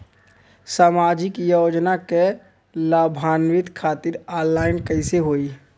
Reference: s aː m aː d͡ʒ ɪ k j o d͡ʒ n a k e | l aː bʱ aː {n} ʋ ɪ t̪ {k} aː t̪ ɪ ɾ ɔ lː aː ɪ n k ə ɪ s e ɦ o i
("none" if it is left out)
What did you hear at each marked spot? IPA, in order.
n, kʰ

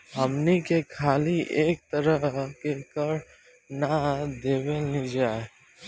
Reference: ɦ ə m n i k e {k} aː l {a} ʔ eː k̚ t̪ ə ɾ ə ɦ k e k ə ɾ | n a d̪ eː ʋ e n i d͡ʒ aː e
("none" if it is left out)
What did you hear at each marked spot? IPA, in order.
kʰ, i

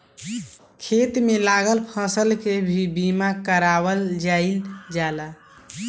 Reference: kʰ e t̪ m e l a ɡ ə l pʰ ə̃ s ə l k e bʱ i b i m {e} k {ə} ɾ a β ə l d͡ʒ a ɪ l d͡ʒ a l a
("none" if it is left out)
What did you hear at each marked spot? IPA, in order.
a, ə

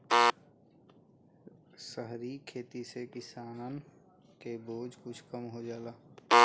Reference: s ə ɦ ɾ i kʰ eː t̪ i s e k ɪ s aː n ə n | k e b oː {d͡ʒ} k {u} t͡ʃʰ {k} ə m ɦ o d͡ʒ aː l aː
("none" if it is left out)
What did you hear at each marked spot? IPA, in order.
d͡ʒ, ʊ, k

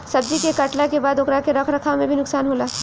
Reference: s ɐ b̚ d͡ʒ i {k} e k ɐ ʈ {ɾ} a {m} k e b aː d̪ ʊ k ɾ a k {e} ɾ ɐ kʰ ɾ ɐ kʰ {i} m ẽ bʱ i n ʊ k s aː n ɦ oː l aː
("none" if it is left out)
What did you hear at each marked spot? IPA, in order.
k, l, none, e, a

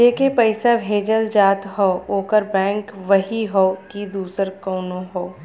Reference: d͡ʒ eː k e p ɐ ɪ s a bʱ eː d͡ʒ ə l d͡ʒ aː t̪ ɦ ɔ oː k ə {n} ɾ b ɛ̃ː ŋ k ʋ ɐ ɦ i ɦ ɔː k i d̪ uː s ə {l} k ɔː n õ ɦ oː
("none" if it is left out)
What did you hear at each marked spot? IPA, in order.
none, ɾ

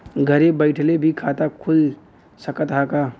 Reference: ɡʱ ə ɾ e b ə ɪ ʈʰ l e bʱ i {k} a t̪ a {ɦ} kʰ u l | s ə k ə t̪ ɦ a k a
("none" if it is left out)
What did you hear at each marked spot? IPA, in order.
kʰ, none

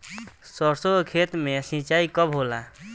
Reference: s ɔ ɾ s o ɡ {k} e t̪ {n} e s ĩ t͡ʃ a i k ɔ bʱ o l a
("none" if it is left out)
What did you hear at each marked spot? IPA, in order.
kʰ, m

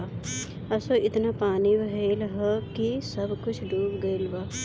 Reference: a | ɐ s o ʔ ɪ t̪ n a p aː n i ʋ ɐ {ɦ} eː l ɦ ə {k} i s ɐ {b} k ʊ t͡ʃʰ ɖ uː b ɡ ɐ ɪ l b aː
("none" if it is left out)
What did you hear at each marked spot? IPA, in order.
ɦ, k, b

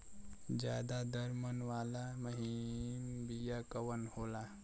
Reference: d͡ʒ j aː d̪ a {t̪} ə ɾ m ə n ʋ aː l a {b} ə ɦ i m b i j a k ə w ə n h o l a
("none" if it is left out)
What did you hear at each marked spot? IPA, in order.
d̪, m

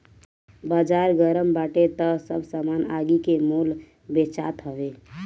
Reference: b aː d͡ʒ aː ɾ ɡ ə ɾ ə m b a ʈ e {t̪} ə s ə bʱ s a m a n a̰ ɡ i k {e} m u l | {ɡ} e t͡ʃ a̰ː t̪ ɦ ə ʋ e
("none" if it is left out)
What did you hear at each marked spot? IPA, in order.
t̪, e, b

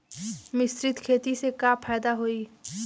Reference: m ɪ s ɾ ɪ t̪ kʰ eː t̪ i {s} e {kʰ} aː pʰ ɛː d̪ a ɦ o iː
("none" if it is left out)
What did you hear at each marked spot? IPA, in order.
s, k

